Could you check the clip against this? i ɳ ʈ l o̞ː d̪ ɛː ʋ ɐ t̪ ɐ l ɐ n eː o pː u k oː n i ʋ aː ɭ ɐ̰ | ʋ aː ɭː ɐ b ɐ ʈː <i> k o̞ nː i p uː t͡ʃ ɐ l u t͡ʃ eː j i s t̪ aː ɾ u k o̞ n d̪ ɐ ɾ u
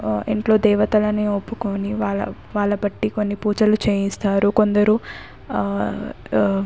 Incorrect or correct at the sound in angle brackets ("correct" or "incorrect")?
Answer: correct